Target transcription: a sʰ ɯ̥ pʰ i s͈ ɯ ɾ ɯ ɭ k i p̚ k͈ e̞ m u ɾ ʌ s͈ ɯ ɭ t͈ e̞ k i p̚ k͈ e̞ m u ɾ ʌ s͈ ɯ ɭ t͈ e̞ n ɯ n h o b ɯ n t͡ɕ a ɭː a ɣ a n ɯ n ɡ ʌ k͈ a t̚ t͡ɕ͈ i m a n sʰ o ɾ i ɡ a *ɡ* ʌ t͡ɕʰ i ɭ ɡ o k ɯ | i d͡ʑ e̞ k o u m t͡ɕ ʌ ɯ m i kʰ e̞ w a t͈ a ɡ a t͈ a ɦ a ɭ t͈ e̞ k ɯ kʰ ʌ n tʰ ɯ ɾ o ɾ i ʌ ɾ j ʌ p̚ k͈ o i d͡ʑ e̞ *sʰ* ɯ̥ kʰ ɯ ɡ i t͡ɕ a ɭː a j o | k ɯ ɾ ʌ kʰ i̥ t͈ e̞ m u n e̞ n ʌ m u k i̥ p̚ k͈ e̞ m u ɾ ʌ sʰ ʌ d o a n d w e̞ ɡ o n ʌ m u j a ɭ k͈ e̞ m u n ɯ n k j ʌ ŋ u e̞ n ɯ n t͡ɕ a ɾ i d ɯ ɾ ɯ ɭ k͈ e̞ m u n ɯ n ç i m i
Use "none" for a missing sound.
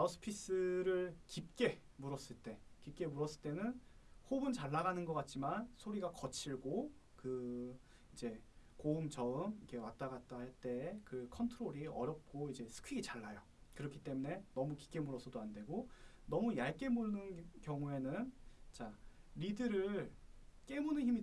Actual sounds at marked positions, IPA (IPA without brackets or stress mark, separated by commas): k, sʰ